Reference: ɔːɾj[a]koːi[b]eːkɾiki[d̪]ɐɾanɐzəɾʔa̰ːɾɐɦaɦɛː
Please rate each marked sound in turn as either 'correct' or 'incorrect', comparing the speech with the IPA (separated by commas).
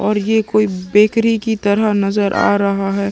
incorrect, correct, incorrect